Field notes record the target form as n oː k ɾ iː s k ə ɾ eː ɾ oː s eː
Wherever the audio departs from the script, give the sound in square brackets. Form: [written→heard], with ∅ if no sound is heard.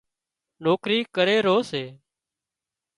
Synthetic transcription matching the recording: n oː k ɾ iː [s→∅] k ə ɾ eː ɾ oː s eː

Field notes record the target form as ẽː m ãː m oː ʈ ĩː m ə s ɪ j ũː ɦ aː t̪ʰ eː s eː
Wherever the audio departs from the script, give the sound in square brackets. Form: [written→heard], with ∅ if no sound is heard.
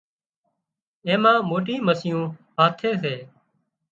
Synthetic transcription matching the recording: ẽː m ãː m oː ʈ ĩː m ə s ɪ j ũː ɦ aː t̪ʰ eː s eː

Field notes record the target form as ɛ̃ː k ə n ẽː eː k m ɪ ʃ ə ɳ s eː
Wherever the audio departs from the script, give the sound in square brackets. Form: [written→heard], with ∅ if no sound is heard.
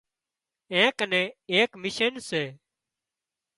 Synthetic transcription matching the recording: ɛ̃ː k ə n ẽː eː k m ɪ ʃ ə [ɳ→n] s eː

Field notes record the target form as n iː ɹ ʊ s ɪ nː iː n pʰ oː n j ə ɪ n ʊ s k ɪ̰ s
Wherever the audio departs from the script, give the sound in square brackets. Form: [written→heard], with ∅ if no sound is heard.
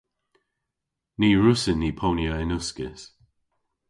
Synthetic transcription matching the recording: n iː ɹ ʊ s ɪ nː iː [n→∅] pʰ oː n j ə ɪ n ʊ s k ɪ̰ s

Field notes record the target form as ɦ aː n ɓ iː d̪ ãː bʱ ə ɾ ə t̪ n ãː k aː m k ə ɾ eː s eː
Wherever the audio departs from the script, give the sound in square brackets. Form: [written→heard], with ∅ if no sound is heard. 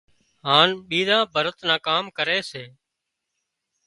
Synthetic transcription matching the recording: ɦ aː n ɓ iː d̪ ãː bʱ ə ɾ ə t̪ n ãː k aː m k ə ɾ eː s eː

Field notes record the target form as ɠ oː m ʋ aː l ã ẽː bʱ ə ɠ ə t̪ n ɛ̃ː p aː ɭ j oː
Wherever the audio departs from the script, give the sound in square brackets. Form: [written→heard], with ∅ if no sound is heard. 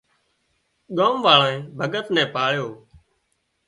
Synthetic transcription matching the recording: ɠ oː m ʋ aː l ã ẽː bʱ ə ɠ ə t̪ n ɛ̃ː p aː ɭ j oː

